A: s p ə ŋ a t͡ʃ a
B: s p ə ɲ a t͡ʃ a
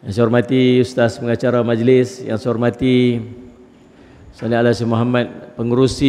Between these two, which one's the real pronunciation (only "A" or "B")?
A